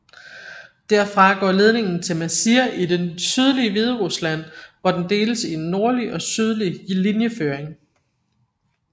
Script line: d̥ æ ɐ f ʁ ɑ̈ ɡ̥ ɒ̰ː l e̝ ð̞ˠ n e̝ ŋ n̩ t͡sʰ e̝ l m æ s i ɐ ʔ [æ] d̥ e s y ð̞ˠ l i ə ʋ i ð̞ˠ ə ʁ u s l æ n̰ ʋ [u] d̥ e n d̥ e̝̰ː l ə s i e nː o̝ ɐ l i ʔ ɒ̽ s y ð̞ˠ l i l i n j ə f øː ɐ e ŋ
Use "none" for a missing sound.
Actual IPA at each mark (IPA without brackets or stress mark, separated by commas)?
i, ɒ